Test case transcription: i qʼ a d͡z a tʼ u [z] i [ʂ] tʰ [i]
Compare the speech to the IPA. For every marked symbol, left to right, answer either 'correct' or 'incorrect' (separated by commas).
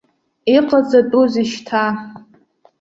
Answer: correct, incorrect, incorrect